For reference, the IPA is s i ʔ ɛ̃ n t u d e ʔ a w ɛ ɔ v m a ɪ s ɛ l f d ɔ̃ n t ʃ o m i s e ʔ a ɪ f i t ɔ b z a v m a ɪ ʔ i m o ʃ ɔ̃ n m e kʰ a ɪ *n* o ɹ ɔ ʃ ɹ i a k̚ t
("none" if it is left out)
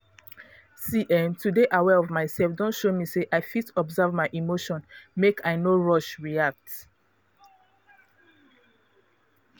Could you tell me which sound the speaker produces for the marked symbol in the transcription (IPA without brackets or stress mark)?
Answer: n